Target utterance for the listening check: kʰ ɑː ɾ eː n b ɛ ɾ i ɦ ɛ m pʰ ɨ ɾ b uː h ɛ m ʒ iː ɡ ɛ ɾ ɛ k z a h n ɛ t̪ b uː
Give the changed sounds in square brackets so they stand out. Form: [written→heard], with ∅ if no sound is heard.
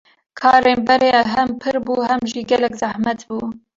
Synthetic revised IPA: kʰ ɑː ɾ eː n b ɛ ɾ [i→e] ɦ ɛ m pʰ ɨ ɾ b uː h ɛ m ʒ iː ɡ ɛ [ɾ→l] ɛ k z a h [n→m] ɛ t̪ b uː